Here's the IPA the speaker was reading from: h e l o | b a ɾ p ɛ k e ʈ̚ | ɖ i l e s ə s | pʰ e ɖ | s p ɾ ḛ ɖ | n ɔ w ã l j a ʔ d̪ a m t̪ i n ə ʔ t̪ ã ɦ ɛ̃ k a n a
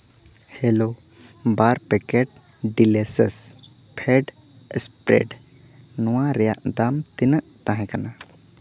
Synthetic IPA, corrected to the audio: h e l o | b a ɾ p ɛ k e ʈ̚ | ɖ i l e s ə s | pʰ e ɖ | s p ɾ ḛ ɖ | n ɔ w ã ɾ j a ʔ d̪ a m t̪ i n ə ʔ t̪ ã ɦ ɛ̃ k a n a

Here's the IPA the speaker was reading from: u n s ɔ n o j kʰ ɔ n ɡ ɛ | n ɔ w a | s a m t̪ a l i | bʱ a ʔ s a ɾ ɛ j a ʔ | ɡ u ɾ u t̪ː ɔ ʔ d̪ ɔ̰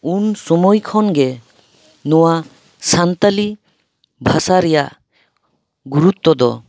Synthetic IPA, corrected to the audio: u n s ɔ m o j kʰ ɔ n ɡ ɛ | n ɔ w a | s a n t̪ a l i | bʱ a s a ɾ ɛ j a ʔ | ɡ u ɾ u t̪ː ɔ d̪ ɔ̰

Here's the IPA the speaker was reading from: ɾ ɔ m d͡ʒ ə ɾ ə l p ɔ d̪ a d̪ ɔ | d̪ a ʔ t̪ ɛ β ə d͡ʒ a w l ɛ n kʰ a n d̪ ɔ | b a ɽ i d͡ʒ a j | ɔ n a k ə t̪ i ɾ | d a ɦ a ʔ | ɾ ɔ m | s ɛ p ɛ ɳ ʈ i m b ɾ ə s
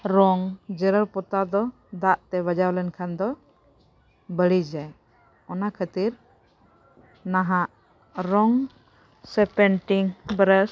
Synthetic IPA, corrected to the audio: ɾ ɔ ŋ d͡ʒ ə ɾ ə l p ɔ t̪ a d̪ ɔ | d̪ a ʔ t̪ ɛ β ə d͡ʒ a w l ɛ n kʰ a n d̪ ɔ | b ə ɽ i d͡ʒ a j | ɔ n a kʰ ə t̪ i ɾ | n a ɦ a ʔ | ɾ ɔ ŋ | s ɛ p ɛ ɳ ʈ i ŋ b ɾ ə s

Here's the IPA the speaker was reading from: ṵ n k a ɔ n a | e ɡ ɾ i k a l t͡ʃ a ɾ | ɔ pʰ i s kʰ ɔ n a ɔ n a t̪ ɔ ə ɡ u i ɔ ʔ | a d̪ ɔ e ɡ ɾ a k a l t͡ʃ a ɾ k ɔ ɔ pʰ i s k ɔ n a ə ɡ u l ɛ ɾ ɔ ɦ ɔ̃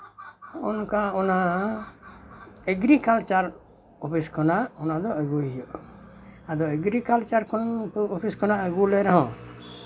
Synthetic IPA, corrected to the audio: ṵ n k a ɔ n a | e ɡ ɾ i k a l t͡ʃ a ɾ | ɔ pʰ i s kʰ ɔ n a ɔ n a d̪ ɔ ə ɡ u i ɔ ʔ | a d̪ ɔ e ɡ ɾ i k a l t͡ʃ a ɾ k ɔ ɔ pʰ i s k ɔ n a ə ɡ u l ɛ ɾ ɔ ɦ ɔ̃

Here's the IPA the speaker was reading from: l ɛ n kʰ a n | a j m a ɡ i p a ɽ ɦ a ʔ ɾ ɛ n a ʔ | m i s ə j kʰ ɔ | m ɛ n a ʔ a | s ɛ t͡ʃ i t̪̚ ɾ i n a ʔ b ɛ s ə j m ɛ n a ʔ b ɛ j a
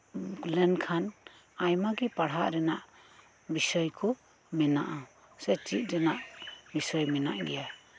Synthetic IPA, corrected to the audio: l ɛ n kʰ a n | a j m a ɡ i p a ɽ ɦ a ʔ ɾ ɛ n a ʔ | b i s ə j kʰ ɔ | m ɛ n a ʔ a | s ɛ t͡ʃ i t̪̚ ɾ ɛ n a ʔ b i s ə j m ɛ n a ʔ ɡ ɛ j a

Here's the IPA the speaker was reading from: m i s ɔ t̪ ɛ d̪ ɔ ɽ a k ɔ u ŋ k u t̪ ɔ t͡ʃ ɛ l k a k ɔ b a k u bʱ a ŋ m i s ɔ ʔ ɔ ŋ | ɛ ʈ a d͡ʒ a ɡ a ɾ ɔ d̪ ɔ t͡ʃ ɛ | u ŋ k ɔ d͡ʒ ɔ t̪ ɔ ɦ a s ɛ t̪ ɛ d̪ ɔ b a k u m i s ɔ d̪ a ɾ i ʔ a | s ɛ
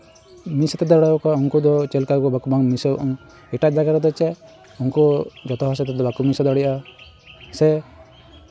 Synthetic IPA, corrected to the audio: m i s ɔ t̪ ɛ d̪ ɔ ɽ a k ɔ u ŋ k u d̪ ɔ t͡ʃ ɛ l k a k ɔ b a k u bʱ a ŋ m i s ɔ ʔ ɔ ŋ | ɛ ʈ a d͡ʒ a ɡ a ɾ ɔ d̪ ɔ t͡ʃ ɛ | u ŋ k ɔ d͡ʒ ɔ t̪ ɔ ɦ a s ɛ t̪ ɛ d̪ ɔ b a k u m i s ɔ d̪ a ɽ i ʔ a | s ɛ

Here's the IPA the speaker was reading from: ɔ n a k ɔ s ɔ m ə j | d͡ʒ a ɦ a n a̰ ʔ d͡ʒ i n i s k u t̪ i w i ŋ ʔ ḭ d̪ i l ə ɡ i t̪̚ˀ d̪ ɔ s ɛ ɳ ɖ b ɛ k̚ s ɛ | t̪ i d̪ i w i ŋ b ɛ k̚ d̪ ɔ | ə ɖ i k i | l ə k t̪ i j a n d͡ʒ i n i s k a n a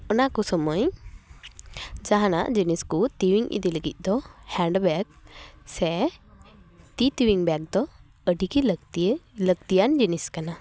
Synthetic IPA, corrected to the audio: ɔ n a k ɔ s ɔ m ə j | d͡ʒ a ɦ a n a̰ ʔ d͡ʒ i n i s k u t̪ i w i ŋ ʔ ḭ d̪ i l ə ɡ i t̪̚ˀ d̪ ɔ h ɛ ɳ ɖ b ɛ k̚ s ɛ | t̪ i t̪ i w i ŋ b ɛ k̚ d̪ ɔ | ə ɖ i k i | l ə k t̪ i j a n d͡ʒ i n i s k a n a

